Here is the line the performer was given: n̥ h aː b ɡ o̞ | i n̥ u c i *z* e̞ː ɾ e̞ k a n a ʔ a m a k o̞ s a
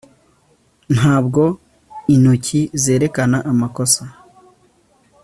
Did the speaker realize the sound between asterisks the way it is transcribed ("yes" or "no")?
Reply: yes